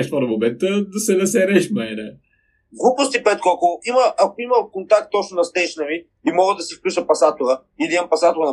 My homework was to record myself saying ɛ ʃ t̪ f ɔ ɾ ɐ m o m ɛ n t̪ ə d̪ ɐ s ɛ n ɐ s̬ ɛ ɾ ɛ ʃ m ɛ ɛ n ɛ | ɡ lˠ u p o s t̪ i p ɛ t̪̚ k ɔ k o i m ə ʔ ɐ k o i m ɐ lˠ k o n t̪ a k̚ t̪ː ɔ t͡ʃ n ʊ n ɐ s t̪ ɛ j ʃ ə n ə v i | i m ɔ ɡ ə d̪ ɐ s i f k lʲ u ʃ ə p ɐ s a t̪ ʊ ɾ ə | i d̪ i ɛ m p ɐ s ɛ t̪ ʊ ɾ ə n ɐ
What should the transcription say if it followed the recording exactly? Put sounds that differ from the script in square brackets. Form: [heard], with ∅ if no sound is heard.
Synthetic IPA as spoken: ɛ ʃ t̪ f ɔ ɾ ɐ m o m ɛ n t̪ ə d̪ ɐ s ɛ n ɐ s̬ ɛ ɾ ɛ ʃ m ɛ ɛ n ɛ | ɡ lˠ u p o s t̪ i p ɛ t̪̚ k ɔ k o i m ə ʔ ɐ k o i m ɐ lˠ k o n t̪ a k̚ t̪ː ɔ t͡ʃ n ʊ n ɐ s t̪ ɛ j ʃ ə n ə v i | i m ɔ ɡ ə d̪ ɐ s i f k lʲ u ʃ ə p ɐ s a t̪ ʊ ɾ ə | i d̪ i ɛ m p ɐ s [a] t̪ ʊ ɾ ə n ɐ